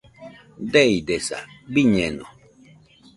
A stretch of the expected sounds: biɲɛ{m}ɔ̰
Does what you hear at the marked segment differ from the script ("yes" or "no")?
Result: yes